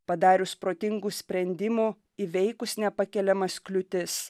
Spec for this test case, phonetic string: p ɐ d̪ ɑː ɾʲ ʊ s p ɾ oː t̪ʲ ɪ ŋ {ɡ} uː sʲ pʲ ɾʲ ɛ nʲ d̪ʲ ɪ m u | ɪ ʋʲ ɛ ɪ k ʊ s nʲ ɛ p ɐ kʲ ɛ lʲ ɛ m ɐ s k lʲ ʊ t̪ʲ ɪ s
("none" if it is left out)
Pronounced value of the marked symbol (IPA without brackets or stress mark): ɡ